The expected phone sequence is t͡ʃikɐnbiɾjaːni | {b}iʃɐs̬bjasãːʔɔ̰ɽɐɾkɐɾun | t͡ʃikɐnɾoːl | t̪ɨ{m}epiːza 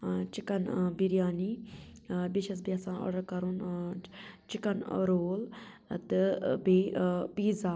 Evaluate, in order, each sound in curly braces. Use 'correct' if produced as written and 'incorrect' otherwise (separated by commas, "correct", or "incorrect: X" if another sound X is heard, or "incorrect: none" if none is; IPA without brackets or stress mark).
correct, incorrect: b